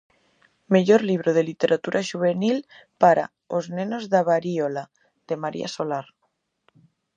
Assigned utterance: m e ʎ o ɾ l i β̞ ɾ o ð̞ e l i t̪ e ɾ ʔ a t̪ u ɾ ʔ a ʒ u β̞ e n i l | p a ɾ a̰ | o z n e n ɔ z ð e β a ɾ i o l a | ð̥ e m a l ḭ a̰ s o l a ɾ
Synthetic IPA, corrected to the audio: m e ʎ o ɾ l i β̞ ɾ o ð̞ e l i t̪ e ɾ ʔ a t̪ u ɾ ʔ a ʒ u β̞ e n i l | p a ɾ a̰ | o z n e n o z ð a β a ɾ i o l a | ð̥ e m a ɾ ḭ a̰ s o l a ɾ